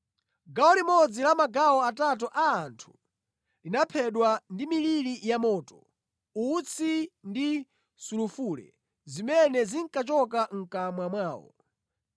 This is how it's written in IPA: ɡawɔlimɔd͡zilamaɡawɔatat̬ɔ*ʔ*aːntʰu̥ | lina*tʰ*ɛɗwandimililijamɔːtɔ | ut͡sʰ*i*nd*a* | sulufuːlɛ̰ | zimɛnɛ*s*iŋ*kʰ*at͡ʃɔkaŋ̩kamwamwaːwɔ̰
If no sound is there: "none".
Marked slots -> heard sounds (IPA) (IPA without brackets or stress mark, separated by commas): ʔ, pʰ, i, i, z, k